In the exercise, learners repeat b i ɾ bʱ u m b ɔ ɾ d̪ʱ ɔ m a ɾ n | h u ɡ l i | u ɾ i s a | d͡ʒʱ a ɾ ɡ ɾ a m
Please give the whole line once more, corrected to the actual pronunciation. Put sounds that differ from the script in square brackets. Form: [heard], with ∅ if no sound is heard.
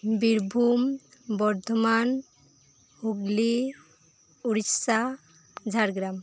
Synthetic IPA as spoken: b i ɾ bʱ u m b ɔ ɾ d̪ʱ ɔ m a [∅] n | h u ɡ l i | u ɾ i s a | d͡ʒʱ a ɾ ɡ ɾ a m